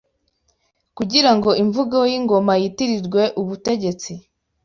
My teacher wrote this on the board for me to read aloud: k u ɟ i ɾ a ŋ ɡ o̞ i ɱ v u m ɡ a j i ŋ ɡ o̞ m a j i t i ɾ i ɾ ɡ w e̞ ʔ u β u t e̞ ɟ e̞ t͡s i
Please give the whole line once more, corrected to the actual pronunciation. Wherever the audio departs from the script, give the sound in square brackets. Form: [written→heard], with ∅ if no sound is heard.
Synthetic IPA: k u ɟ i ɾ a ŋ ɡ o̞ i ɱ v u [m→∅] ɡ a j i ŋ ɡ o̞ m a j i t i ɾ i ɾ ɡ w e̞ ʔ u β u t e̞ ɟ e̞ t͡s i